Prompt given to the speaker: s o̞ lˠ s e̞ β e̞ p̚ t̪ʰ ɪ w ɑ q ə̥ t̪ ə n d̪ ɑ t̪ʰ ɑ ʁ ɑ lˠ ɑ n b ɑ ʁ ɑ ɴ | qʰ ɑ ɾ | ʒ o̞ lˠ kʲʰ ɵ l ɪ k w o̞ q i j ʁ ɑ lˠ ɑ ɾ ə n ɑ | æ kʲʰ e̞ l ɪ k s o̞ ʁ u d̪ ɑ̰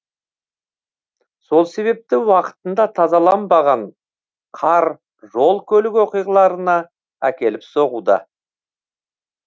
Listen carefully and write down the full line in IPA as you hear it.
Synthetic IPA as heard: s o̞ lˠ s e̞ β e̞ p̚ t̪ ɪ w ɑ q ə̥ t̪ ə n d̪ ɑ t̪ʰ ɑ z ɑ lˠ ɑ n b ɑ ʁ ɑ ɴ | qʰ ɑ ɾ | ʒ o̞ lˠ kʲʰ ɵ l ɪ k w o̞ q i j ʁ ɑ lˠ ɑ ɾ ə n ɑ | æ kʲ e̞ l ɪ p s o̞ ʁ u d̪ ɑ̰